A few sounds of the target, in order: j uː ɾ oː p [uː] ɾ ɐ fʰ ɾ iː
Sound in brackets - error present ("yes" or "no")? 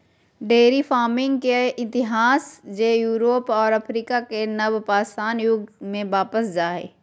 yes